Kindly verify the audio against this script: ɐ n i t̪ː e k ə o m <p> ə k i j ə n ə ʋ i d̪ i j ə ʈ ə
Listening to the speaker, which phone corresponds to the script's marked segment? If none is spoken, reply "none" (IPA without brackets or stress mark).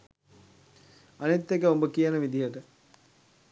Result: b